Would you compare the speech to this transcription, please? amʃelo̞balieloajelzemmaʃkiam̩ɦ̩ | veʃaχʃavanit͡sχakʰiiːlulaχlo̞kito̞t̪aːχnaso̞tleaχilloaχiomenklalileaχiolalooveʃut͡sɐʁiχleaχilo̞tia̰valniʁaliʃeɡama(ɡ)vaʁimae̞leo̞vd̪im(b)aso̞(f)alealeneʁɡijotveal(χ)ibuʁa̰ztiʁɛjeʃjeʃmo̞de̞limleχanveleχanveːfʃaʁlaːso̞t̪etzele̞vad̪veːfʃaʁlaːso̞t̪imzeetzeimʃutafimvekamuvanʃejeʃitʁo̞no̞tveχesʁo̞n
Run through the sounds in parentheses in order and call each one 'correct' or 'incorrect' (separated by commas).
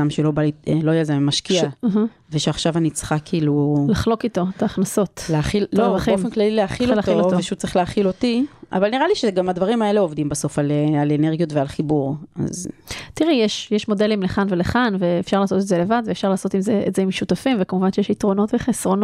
incorrect, correct, correct, correct